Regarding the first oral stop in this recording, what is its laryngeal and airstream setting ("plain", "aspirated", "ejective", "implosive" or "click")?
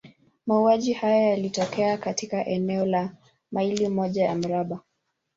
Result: implosive